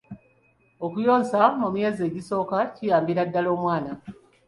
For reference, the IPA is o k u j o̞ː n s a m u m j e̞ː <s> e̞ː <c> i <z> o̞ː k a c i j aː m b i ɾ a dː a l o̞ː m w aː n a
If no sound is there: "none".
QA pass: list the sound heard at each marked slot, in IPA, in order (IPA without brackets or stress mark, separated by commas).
z, ɟ, s